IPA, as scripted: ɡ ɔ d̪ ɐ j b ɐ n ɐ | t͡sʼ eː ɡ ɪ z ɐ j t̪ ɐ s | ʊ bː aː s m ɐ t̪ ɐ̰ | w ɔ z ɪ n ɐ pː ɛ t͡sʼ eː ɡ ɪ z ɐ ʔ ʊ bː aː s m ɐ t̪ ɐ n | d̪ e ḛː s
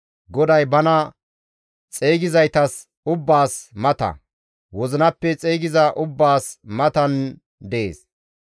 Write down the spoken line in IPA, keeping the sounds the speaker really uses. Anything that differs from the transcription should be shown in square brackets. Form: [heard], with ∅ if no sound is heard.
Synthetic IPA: ɡ ɔ d̪ ɐ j b ɐ n ɐ | t͡sʼ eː ɡ ɪ z ɐ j t̪ ɐ s | ʊ bː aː s m ɐ t̪ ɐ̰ | w ɔ z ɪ n ɐ pː ɛ t͡sʼ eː ɡ ɪ z ɐ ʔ ʊ bː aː s m ɐ t̪ ɐ n | d̪ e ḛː s